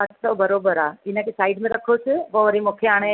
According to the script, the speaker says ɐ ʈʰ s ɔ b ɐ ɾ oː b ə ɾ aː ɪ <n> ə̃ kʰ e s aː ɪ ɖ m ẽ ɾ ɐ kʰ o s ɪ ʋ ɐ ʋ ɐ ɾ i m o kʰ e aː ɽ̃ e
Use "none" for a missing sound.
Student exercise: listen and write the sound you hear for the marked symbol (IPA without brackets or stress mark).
n